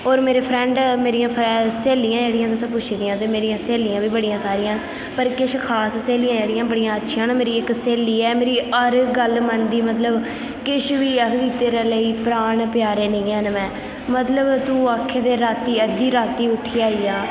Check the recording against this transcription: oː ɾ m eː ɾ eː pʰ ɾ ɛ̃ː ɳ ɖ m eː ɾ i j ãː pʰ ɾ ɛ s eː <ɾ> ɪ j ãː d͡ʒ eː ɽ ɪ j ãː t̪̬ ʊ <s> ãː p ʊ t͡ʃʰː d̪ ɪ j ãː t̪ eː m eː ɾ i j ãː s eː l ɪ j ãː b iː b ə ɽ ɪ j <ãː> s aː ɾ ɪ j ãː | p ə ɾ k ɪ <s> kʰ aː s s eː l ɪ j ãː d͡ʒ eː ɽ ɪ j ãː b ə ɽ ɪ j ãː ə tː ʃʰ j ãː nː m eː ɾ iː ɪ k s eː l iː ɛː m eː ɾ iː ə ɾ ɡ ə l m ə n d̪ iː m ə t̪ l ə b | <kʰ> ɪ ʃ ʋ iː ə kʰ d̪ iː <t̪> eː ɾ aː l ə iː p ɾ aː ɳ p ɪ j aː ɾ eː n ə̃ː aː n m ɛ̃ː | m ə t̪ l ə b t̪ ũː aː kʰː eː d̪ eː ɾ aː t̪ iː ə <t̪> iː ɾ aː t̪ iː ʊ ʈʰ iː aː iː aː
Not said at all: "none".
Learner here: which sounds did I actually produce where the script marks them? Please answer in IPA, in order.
l, s, ãː, ʃ, k, t̪, d̪

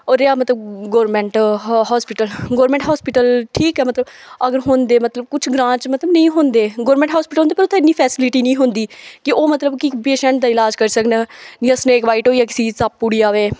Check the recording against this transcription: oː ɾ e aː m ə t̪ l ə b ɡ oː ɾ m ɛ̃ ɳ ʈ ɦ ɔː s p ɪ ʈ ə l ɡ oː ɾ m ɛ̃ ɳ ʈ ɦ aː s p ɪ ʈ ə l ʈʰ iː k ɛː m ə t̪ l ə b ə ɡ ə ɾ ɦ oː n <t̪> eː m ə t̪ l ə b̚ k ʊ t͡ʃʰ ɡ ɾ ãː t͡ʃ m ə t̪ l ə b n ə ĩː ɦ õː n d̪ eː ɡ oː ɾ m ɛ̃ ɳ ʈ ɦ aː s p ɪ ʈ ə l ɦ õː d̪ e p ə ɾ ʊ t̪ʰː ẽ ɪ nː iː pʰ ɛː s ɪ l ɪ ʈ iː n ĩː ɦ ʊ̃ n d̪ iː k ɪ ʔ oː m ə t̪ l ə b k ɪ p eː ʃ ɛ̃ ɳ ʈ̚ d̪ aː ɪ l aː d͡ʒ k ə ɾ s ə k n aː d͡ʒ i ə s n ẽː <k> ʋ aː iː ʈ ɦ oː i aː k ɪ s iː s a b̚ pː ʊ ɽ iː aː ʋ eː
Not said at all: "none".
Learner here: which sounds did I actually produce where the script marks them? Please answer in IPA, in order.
d̪, k

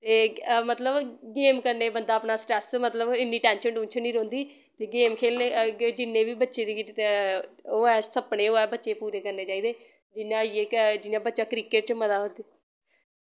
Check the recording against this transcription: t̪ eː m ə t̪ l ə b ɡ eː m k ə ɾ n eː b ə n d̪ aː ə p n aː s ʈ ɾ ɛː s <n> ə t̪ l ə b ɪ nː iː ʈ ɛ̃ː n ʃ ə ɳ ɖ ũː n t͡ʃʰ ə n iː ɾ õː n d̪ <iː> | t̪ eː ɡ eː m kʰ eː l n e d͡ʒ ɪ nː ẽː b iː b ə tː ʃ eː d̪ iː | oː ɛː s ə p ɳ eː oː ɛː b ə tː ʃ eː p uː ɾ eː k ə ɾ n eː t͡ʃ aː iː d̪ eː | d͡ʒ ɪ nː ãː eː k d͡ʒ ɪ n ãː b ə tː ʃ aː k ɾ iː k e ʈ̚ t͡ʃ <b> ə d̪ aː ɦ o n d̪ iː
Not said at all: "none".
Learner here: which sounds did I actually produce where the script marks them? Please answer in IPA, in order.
m, iː, m

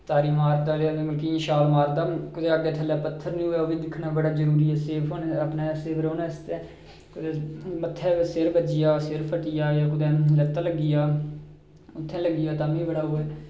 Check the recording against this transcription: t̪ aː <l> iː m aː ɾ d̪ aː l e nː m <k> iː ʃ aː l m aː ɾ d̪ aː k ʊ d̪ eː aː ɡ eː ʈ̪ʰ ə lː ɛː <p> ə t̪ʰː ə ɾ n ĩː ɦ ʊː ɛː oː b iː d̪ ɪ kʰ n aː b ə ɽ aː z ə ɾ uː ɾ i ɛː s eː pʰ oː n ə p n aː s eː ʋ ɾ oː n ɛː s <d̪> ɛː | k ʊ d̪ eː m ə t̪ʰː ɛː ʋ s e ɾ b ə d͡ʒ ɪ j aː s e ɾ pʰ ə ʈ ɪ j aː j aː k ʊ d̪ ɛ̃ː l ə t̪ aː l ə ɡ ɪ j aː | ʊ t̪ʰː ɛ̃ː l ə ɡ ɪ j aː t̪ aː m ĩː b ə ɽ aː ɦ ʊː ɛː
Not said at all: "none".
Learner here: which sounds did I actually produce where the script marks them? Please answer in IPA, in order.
ɾ, k, p, t̪

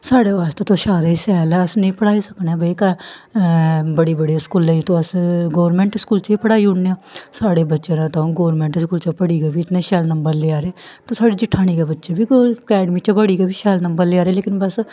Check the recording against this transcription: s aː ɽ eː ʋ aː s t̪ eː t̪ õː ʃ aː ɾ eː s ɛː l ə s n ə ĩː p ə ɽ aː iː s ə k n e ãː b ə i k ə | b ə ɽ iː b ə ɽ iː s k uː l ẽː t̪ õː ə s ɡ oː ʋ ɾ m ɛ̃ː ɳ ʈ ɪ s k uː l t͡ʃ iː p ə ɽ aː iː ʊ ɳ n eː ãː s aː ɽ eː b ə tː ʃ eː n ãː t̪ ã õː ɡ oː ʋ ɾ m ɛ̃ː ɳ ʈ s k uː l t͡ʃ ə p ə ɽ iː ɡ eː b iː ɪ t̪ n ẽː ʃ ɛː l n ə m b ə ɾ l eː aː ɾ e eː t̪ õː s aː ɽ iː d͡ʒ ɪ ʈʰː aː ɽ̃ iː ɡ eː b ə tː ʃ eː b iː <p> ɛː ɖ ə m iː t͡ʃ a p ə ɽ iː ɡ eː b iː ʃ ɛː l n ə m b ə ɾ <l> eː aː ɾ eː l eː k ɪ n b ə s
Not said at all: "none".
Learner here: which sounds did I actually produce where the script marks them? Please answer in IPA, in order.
k, l

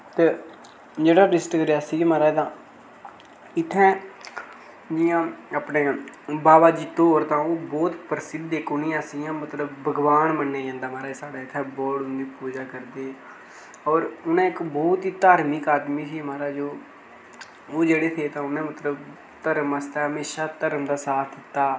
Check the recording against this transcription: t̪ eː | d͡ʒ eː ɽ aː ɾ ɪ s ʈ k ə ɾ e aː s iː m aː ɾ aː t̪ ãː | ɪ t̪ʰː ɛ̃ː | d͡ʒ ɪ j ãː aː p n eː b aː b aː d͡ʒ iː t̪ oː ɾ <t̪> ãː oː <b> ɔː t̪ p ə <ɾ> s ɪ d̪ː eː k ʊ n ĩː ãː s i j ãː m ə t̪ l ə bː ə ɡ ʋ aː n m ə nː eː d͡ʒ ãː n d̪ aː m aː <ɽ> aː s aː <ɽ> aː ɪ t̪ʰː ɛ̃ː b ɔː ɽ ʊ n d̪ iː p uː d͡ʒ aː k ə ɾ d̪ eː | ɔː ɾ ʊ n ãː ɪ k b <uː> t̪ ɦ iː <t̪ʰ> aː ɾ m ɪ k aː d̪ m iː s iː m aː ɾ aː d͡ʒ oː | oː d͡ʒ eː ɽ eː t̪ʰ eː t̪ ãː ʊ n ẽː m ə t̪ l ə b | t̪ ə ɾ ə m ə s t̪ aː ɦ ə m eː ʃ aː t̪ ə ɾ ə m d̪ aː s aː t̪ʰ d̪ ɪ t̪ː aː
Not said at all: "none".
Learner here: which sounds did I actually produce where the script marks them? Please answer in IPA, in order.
t̪, b, ɾ, ɾ, ɽ, ɔː, t̪

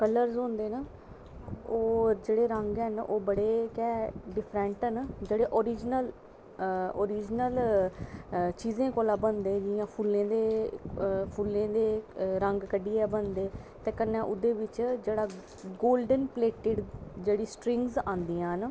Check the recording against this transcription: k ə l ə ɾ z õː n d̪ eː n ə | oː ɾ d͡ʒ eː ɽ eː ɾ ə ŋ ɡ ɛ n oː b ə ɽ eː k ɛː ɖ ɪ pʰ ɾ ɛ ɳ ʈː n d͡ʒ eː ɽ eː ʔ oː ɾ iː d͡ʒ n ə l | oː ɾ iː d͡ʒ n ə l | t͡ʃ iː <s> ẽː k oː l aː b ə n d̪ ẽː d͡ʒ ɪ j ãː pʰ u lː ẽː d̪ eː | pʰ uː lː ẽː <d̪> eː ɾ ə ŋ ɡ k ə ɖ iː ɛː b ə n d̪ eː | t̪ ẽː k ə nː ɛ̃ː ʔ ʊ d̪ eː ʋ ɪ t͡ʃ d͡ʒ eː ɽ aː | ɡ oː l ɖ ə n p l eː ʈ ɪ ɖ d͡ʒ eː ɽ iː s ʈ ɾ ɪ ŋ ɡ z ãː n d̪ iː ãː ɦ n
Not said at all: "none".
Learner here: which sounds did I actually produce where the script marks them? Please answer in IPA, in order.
z, d̪

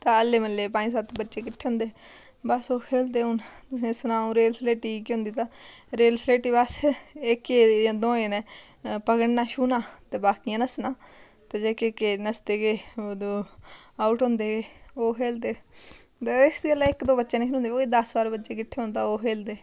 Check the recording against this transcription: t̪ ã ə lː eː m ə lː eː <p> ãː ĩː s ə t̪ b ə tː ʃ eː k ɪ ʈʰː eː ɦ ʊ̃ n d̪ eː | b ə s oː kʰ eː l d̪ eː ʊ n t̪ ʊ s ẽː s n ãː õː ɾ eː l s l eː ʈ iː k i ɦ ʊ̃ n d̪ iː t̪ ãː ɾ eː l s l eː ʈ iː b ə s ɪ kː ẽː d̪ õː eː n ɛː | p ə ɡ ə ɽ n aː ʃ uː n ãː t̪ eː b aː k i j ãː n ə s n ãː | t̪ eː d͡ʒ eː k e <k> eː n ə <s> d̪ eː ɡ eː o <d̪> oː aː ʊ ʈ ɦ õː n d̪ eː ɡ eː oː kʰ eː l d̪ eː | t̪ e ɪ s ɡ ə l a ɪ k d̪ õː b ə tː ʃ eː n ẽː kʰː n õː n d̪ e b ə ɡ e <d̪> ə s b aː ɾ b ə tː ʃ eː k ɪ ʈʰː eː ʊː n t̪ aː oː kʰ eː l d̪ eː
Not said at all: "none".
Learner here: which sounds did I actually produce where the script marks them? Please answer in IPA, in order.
p, k, s, d̪, d̪

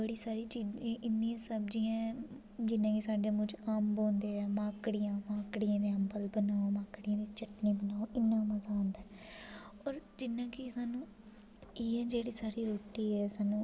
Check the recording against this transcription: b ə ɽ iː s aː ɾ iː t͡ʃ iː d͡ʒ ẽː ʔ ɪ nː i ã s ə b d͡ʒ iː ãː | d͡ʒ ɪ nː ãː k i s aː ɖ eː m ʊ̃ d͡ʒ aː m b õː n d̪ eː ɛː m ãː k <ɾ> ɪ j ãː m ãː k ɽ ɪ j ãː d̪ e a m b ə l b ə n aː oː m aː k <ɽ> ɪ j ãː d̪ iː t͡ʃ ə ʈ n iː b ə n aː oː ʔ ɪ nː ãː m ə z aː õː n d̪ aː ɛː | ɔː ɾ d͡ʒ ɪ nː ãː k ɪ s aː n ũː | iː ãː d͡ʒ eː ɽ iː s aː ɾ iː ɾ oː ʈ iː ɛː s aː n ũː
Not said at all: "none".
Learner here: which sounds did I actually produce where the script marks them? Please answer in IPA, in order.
ɽ, ɽ

